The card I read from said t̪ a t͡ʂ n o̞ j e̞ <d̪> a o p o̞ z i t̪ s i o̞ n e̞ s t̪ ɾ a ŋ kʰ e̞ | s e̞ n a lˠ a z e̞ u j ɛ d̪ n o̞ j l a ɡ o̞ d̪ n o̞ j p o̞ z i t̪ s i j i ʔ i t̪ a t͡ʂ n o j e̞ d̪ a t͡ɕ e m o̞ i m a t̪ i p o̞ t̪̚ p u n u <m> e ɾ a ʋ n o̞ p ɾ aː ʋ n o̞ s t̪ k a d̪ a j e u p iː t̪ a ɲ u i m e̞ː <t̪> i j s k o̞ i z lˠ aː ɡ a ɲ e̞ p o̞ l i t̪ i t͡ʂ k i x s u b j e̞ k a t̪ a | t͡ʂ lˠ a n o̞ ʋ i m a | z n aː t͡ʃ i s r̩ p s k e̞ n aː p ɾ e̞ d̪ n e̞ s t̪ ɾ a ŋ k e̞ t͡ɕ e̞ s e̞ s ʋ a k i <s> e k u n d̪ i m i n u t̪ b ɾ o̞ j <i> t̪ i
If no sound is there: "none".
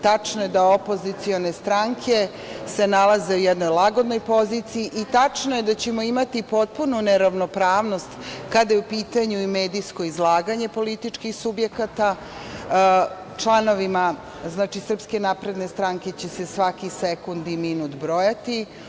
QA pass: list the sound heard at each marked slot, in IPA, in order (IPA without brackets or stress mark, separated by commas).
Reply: d̪, n, d̪, s, a